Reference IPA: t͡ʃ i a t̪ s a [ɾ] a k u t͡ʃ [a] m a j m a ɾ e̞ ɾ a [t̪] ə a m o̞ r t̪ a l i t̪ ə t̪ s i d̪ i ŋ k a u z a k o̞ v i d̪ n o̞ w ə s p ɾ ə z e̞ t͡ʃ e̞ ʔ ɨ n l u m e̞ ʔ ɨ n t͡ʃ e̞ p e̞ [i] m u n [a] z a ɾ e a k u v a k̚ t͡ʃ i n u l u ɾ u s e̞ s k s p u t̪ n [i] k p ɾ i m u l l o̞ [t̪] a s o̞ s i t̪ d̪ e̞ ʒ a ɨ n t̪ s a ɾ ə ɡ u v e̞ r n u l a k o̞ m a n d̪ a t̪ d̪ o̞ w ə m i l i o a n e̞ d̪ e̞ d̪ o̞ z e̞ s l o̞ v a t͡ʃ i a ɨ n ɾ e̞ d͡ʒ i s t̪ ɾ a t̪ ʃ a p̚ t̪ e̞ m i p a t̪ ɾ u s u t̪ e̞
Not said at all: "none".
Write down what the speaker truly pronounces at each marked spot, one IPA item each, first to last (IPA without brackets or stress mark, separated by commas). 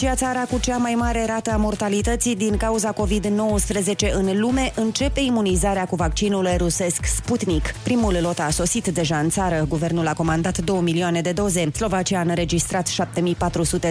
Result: ɾ, a, t̪, i, i, i, t̪